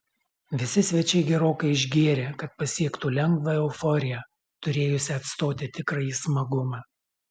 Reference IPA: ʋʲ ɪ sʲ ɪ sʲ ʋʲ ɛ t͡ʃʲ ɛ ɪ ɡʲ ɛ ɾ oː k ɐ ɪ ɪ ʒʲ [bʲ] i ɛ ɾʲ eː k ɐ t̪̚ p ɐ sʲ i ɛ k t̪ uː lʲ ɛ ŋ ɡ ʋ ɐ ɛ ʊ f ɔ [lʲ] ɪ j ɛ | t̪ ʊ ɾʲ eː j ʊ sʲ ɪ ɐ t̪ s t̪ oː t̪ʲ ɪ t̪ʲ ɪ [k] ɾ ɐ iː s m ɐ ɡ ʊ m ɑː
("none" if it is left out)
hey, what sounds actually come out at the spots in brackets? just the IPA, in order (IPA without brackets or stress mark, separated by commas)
ɡʲ, ɾʲ, k